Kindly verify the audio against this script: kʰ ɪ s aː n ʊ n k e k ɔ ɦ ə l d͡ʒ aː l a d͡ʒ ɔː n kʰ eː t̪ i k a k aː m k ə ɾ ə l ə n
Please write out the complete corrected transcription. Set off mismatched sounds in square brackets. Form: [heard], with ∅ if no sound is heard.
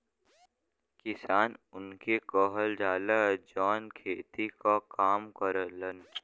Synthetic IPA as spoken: [k] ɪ s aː n ʊ n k e k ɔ ɦ ə l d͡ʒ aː l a d͡ʒ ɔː n kʰ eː t̪ i k a k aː m k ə ɾ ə l ə n